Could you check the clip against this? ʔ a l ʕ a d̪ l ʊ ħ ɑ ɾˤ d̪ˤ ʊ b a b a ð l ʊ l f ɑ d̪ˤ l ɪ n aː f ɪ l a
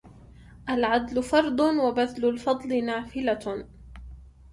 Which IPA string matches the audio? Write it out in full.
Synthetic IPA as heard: ʔ a l ʕ a d̪ l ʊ f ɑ ɾˤ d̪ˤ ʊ w a b a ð l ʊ l f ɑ d̪ˤ l ɪ n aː f ɪ l a